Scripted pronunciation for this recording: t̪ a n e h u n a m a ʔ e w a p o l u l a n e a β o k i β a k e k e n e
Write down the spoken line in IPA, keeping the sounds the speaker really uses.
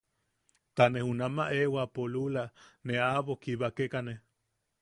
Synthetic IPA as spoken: t̪ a n e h u n a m a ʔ e w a p o l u l a n e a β o k i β a k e k a n e